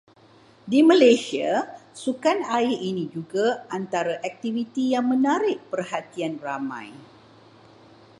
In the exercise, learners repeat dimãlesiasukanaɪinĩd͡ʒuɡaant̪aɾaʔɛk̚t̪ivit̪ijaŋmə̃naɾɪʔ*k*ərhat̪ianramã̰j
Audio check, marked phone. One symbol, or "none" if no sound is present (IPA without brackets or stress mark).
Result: p